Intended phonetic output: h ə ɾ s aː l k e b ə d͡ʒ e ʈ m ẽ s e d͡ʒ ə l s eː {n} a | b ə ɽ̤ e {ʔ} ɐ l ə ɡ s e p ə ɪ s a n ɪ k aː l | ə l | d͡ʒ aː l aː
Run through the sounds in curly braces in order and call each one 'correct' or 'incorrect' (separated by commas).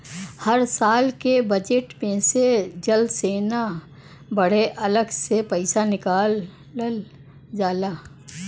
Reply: correct, correct